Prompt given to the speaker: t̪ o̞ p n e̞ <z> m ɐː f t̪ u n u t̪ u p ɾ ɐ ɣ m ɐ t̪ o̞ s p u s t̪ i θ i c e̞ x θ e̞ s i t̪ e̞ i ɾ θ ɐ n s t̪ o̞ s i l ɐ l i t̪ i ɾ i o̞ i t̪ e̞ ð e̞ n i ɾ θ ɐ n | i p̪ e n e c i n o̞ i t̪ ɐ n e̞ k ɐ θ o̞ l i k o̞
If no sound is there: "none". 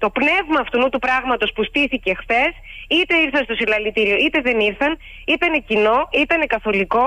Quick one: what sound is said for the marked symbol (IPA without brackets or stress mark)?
v